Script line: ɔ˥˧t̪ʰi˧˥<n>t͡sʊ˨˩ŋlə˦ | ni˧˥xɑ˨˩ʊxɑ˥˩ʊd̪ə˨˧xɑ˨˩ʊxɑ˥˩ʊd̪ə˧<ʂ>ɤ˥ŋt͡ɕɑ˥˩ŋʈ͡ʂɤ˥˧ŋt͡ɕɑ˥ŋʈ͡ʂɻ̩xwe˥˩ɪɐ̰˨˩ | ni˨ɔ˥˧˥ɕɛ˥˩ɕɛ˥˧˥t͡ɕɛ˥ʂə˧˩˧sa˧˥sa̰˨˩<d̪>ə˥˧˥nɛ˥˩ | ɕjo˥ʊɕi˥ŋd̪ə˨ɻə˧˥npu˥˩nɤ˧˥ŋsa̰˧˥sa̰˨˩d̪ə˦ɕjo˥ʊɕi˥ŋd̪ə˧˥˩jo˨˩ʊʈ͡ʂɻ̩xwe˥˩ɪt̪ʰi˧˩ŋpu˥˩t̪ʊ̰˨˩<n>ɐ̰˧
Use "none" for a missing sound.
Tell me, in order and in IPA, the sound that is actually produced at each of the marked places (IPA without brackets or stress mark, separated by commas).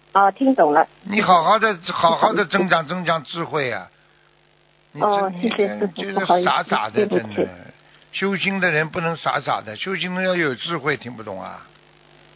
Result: ŋ, ʈ͡ʂ, d̪, ŋ